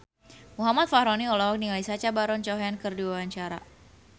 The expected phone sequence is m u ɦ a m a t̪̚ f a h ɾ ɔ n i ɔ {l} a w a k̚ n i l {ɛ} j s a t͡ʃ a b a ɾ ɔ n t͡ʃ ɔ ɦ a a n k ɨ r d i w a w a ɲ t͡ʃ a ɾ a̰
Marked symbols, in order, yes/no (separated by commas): yes, no